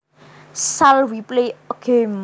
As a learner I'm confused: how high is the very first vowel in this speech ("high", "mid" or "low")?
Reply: low